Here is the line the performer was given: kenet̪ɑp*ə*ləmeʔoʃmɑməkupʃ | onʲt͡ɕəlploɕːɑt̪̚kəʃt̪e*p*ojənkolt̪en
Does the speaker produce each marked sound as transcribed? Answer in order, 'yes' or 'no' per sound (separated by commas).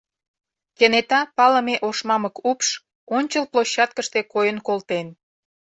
no, no